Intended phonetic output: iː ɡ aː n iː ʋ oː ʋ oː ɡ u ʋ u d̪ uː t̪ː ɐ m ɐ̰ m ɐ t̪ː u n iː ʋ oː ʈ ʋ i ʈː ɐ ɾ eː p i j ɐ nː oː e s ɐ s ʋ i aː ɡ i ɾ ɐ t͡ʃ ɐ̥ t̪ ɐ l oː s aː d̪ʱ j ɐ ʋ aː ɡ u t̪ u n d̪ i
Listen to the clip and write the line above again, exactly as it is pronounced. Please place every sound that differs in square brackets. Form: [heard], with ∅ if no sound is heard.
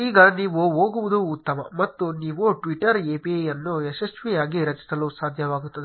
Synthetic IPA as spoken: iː ɡ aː n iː ʋ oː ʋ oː ɡ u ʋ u d̪ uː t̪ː ɐ m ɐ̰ m ɐ t̪ː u n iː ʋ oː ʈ ʋ i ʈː ɐ ɾ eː p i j ɐ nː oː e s ɐ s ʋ i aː ɡ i ɾ ɐ t͡ʃ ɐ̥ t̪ ɐ l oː s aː d̪ʱ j ɐ ʋ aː ɡ u t̪ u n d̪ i